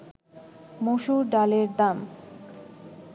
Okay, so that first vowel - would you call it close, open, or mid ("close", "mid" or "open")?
mid